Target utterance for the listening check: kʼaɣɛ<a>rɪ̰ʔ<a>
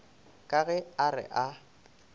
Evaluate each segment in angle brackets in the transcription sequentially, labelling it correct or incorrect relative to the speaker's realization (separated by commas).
correct, correct